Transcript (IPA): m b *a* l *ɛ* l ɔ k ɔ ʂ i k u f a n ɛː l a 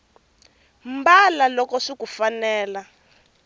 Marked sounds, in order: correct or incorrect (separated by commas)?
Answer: correct, incorrect